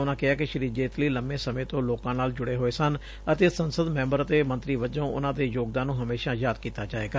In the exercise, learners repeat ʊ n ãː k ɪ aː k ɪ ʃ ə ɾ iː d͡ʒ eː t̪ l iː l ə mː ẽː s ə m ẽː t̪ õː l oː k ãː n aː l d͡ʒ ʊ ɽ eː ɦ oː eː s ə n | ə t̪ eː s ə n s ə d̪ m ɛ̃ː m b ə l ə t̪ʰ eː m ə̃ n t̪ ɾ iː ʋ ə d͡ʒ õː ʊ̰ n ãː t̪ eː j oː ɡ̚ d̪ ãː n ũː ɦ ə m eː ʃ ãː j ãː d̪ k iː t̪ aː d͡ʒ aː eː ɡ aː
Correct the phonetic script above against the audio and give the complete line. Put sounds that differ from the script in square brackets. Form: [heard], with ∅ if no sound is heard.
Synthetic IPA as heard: ʊ n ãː k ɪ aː k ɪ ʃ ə ɾ iː d͡ʒ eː t̪ l iː l ə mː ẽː s ə m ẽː t̪ õː l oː k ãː n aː l d͡ʒ ʊ ɽ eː ɦ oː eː s ə n | ə t̪ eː s ə n s ə d̪ m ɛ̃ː m b ə [ɾ] ə [t̪] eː m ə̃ n t̪ ɾ iː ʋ ə d͡ʒ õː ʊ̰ n ãː [d̪] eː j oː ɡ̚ d̪ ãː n ũː ɦ ə m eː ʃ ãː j [aː] d̪ k iː t̪ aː d͡ʒ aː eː ɡ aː